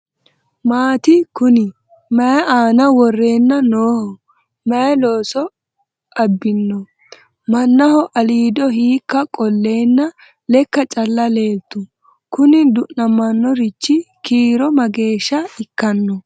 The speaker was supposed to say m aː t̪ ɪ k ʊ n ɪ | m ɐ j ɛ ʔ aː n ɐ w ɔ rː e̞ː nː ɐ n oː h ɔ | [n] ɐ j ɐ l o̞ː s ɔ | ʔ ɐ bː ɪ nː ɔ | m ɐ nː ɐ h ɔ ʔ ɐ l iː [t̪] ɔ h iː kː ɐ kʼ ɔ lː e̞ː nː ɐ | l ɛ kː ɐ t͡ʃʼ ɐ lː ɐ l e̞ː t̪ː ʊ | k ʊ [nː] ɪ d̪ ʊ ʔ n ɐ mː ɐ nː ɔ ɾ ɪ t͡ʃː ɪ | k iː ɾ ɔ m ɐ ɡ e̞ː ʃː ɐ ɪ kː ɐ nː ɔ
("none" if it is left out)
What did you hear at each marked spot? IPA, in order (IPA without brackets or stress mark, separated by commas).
m, d̪, n